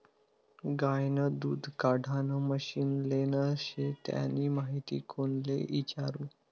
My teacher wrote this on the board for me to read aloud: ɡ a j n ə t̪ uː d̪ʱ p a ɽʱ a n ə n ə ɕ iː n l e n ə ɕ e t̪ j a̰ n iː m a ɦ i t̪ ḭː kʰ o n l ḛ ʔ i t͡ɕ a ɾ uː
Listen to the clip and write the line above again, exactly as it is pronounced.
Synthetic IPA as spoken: ɡ a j n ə d̪ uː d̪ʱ k a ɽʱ a n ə m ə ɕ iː n l e n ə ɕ e t̪ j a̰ n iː m a ɦ i t̪ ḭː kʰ o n l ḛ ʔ i t͡ɕ a ɾ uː